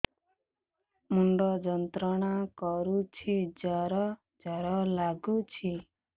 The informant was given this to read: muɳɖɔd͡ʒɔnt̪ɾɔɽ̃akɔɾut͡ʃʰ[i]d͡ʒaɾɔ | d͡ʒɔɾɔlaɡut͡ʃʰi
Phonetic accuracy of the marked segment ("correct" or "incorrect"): correct